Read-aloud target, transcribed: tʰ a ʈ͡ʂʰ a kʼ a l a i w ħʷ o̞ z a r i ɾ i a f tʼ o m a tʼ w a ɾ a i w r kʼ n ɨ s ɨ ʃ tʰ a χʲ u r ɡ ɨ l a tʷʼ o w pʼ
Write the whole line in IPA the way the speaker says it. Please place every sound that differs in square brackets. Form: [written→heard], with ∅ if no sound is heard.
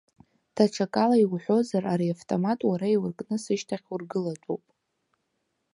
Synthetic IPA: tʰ a ʈ͡ʂʰ a kʼ a l a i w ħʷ o̞ z a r [i→a] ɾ i a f tʼ o m a tʼ w a ɾ a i w r kʼ n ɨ s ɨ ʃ tʰ a χʲ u r ɡ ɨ l a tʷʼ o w pʼ